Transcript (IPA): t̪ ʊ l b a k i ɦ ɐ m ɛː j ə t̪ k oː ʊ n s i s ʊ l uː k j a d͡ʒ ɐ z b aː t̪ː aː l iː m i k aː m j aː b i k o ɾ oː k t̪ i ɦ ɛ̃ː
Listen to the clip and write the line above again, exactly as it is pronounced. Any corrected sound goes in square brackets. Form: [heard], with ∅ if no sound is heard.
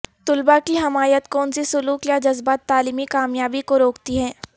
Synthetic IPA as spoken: t̪ ʊ l b a k i ɦ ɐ m [aː] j ə t̪ k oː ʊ n s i s ʊ l uː k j a d͡ʒ ɐ z b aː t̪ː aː l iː m i k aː m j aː b i k o ɾ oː k t̪ i ɦ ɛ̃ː